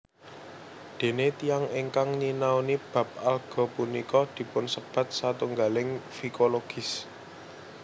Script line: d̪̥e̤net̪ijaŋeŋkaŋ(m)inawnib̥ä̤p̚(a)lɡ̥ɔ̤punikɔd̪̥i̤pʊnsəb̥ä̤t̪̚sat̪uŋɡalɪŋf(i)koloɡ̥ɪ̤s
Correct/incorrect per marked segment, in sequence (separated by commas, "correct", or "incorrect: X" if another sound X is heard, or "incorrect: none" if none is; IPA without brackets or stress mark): incorrect: ɲ, correct, correct